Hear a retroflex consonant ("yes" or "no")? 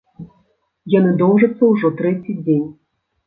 yes